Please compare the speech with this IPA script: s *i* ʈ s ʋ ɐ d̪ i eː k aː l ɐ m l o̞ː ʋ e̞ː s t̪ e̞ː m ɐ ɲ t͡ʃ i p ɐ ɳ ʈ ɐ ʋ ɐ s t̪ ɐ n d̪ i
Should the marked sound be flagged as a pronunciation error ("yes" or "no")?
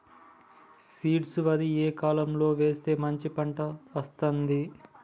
yes